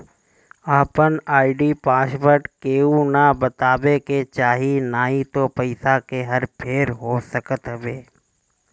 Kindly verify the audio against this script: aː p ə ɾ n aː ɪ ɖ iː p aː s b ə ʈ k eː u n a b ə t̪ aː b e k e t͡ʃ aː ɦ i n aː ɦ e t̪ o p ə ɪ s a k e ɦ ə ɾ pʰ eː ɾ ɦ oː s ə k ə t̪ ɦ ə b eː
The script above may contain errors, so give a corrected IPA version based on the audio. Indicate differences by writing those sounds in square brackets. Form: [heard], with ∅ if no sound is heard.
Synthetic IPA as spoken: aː p ə [∅] n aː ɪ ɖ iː p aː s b ə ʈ k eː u n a b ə t̪ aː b e k e t͡ʃ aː ɦ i n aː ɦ [i] t̪ o p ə ɪ s a k e ɦ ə ɾ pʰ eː ɾ ɦ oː s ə k ə t̪ ɦ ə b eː